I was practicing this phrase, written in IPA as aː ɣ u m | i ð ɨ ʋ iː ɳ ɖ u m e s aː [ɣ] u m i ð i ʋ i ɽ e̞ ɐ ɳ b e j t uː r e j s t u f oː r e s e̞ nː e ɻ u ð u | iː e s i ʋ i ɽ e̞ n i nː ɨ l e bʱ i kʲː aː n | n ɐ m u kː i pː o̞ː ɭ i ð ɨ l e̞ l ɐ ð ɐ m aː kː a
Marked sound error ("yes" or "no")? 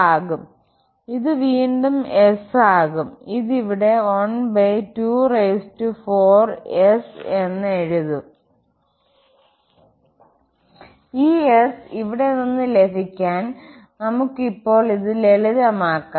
no